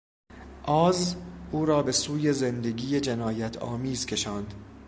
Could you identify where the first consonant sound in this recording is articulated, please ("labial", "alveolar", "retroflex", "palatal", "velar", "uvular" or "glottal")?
glottal